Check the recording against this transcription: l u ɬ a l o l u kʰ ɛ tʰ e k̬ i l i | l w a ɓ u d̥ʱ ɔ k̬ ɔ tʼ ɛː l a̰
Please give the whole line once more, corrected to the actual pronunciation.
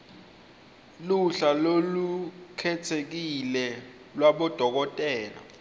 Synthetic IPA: l u ɬ a l o l u kʰ ɛ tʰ e k̬ i l ɛ | l w a ɓ ɔ d̥ʱ ɔ k̬ ɔ tʼ ɛː l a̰